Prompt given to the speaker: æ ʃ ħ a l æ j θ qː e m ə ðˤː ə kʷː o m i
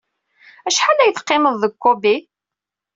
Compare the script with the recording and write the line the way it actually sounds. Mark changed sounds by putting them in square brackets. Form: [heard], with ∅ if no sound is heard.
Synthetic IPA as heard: æ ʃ ħ a l æ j θ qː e m ə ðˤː ə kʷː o [b] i